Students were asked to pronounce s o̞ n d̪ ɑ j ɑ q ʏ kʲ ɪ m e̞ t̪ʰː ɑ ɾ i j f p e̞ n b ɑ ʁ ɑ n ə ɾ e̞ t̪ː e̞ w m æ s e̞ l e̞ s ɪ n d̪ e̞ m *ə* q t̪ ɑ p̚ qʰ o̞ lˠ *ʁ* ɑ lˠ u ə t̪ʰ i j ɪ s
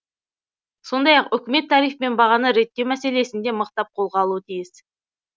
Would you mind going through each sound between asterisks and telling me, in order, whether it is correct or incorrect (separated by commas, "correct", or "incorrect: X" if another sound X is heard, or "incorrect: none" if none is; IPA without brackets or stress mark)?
correct, correct